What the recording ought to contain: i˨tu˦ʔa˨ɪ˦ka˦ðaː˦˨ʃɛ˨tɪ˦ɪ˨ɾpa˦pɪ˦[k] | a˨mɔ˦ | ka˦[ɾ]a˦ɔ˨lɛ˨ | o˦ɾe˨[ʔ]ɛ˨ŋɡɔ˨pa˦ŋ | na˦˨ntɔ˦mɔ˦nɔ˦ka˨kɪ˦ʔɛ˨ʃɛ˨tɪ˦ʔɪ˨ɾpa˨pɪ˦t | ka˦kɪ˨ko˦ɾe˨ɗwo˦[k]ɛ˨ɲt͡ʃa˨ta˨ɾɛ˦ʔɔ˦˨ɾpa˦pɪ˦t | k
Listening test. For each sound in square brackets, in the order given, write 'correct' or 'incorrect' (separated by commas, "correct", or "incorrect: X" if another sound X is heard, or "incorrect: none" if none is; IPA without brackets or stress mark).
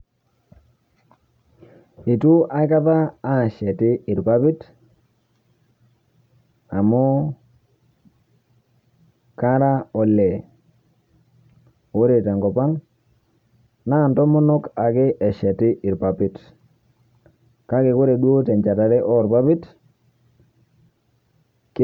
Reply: incorrect: t, correct, incorrect: t, incorrect: t